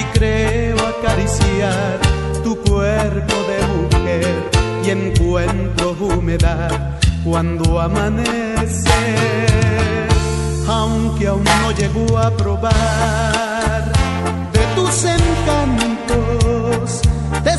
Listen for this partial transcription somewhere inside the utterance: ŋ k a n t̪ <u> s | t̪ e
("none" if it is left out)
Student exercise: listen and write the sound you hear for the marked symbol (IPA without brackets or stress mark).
o